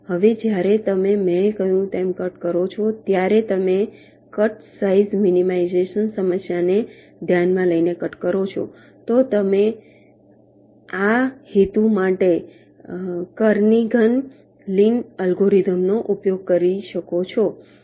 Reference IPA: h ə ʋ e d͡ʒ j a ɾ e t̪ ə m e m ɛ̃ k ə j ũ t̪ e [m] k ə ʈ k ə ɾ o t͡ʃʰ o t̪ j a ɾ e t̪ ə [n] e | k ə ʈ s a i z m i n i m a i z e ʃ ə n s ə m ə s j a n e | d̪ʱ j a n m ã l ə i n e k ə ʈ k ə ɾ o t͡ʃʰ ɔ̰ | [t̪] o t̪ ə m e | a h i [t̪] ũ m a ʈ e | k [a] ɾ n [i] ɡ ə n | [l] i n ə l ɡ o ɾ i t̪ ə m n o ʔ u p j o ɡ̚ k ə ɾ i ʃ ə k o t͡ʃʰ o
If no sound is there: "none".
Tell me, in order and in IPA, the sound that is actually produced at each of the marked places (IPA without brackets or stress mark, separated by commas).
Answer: m, m, t̪, t̪, ə, i, l